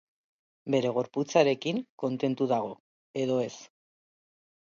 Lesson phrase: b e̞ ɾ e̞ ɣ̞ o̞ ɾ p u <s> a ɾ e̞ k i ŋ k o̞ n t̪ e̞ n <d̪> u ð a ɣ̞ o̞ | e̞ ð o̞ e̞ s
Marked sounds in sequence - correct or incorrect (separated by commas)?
incorrect, incorrect